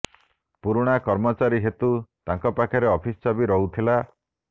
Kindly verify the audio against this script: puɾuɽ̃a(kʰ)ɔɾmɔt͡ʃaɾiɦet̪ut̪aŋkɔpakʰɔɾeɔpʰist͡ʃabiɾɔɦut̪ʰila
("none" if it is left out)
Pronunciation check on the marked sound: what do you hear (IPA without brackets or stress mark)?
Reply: k